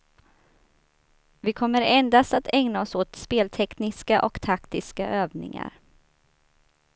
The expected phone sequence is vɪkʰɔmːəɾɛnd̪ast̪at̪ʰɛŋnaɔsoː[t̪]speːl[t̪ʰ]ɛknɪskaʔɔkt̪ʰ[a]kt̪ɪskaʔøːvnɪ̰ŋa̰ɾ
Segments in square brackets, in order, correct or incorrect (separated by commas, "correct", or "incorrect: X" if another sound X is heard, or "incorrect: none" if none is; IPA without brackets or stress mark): correct, correct, correct